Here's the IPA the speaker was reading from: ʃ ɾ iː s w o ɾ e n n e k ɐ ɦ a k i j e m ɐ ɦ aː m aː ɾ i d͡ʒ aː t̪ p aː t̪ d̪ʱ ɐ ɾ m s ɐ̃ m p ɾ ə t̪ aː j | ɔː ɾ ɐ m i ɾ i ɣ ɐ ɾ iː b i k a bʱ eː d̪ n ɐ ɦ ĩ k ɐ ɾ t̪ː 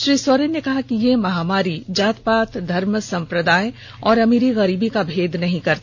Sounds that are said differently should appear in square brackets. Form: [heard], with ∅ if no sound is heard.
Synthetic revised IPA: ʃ ɾ iː s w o ɾ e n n e k ɐ ɦ a k i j e m ɐ ɦ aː m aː ɾ i d͡ʒ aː t̪ p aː t̪ d̪ʱ ɐ ɾ m s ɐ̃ m p ɾ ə [d̪] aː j | ɔː ɾ ɐ m i ɾ i ɣ ɐ ɾ iː b i k a bʱ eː d̪ n ɐ ɦ ĩ k ɐ ɾ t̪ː